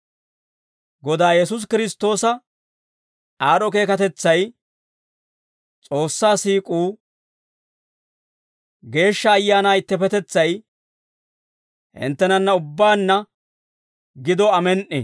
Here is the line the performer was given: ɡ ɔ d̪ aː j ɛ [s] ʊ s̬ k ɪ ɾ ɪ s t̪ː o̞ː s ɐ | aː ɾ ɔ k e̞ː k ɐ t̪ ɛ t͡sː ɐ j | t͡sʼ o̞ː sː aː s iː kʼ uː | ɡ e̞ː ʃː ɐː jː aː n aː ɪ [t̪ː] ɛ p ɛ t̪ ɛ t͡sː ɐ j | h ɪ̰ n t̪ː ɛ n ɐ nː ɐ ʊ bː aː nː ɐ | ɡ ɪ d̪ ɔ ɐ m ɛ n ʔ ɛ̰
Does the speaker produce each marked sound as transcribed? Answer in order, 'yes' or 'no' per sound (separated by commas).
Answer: yes, yes